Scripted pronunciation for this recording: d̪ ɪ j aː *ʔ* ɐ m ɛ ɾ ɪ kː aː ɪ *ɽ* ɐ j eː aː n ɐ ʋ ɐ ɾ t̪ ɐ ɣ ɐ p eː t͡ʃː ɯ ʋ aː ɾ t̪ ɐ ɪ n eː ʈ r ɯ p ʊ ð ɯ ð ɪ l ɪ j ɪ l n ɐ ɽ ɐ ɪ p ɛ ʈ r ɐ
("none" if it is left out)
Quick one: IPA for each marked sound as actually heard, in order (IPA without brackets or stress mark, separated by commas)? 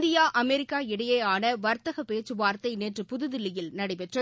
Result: ʔ, ɽ